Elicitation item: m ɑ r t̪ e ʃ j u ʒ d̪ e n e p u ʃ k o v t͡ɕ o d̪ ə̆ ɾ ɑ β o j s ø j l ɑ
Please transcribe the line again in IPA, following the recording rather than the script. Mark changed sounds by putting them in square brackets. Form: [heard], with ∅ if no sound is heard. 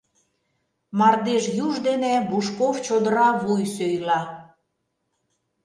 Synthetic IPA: m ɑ r [d̪] e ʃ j u ʒ d̪ e n e [b] u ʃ k o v t͡ɕ o d̪ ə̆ ɾ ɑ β [u] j s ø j l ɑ